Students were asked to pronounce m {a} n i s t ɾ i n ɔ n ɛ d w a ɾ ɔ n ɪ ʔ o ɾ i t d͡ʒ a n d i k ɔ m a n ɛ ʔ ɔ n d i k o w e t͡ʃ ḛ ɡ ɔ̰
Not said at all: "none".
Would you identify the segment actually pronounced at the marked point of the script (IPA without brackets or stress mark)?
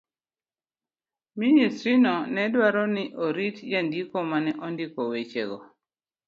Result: i